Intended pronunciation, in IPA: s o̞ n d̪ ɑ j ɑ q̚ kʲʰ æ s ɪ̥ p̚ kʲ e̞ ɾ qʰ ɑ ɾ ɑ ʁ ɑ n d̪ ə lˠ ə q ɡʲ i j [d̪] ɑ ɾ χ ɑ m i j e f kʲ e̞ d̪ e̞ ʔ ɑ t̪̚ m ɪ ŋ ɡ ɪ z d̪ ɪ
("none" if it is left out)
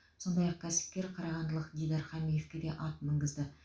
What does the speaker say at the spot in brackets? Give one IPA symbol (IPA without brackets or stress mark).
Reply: d̪